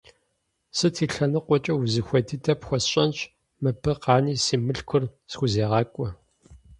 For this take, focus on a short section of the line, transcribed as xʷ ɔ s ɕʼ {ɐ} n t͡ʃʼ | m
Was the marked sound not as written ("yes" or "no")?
no